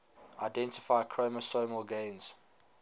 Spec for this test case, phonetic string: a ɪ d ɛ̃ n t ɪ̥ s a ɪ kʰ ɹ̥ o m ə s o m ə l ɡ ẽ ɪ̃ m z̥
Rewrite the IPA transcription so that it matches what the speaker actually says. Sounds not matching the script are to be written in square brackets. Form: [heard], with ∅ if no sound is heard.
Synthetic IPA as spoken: a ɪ d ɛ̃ n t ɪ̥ [f] a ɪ kʰ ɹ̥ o m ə s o m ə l ɡ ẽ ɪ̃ [n] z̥